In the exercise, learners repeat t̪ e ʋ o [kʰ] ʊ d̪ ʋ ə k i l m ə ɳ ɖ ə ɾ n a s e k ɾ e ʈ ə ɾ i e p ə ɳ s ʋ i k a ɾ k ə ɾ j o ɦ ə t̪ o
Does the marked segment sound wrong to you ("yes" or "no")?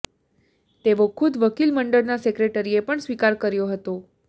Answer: no